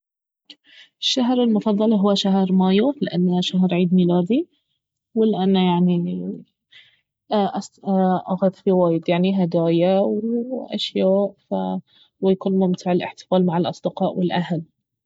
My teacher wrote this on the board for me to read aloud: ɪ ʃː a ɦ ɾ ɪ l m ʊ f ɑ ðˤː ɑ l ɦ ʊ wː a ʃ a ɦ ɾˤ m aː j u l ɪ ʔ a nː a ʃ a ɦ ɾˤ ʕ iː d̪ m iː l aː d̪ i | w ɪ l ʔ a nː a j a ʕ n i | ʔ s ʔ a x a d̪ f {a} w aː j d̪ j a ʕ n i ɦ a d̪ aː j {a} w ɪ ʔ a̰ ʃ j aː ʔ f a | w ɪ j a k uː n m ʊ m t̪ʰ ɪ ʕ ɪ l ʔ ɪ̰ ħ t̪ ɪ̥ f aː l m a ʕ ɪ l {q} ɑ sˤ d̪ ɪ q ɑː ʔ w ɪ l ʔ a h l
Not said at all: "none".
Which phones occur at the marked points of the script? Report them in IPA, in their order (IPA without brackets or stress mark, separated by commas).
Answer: i, a, ʔ